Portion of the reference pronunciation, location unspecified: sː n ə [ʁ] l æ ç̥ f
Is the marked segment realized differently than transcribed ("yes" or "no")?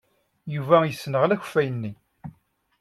no